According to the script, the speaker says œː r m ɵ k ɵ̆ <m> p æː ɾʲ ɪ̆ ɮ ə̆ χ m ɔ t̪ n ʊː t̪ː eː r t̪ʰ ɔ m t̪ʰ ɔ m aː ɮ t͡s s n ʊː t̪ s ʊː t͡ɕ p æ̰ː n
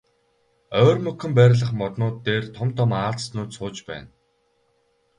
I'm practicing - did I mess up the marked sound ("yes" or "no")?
no